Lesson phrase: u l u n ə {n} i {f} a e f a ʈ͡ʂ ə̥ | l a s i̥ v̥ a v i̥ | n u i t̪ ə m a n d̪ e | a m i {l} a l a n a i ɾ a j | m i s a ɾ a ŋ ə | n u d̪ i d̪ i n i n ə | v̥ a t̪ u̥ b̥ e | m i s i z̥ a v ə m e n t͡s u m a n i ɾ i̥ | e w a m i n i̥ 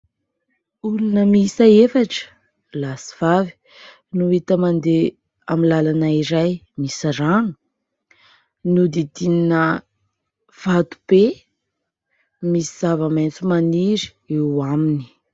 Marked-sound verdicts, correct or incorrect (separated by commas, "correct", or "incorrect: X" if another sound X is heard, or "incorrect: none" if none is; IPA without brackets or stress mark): incorrect: m, incorrect: s, correct